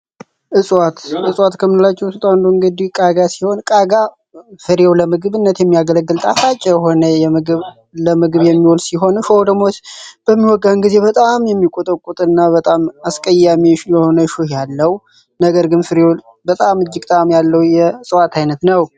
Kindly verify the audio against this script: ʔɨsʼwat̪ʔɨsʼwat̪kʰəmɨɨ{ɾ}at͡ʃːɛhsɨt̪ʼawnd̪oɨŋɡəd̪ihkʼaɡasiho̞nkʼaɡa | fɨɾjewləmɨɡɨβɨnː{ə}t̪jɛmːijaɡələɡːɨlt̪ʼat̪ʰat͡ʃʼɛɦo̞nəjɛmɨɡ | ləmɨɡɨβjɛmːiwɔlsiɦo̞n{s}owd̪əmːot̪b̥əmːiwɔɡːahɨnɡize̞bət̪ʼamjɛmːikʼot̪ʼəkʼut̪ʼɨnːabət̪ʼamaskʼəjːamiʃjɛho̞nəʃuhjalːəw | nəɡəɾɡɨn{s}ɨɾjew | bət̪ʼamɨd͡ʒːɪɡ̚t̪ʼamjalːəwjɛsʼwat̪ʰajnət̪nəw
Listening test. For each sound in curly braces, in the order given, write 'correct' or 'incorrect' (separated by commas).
incorrect, correct, incorrect, incorrect